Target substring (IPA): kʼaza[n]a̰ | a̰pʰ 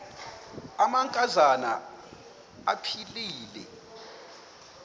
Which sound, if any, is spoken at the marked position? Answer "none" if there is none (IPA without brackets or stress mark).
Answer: n